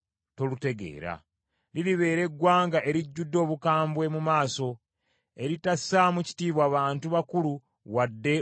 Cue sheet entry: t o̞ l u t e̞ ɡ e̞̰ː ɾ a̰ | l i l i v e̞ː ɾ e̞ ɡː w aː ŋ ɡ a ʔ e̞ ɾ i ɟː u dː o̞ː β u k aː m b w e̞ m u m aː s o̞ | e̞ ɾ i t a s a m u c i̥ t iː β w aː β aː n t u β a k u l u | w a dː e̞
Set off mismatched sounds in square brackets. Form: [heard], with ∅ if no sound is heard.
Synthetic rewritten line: t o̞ l u t e̞ ɡ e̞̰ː ɾ a̰ | l i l i [β] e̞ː ɾ e̞ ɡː w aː ŋ ɡ a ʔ e̞ ɾ i ɟː u dː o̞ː β u k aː m b w e̞ m u m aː s o̞ | e̞ ɾ i t a s a m u c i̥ t iː β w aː β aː n t u β a k u l u | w a dː e̞